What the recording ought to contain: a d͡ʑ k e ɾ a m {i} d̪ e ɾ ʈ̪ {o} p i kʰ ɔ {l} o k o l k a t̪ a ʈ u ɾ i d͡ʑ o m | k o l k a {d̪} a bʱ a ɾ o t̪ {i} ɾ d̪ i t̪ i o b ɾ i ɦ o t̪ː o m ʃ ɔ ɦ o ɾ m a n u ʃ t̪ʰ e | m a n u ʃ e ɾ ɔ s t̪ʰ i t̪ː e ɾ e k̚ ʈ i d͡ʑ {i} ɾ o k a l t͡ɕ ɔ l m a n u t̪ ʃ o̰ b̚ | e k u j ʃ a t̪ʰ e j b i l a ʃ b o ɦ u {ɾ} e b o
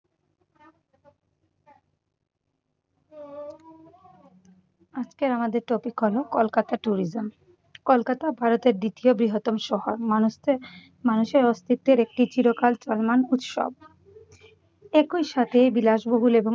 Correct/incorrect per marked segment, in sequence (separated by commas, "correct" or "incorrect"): incorrect, correct, correct, incorrect, incorrect, correct, incorrect